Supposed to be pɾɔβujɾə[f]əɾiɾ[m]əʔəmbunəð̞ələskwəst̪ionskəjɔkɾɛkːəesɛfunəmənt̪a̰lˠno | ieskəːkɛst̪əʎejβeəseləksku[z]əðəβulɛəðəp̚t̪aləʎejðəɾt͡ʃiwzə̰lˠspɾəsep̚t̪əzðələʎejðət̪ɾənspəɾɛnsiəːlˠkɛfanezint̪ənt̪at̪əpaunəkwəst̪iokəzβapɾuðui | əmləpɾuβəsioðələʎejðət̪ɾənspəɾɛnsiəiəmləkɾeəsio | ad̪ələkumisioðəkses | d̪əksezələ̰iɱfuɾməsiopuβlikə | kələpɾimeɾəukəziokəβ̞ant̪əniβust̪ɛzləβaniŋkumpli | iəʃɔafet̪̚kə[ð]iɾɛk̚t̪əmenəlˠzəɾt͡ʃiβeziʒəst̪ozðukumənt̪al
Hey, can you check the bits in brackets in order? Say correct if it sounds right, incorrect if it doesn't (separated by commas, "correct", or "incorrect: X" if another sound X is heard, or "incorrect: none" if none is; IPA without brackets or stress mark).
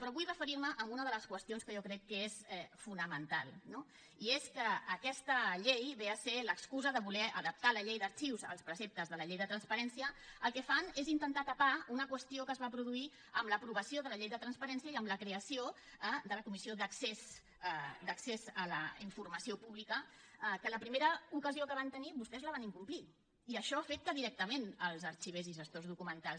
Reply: correct, correct, correct, correct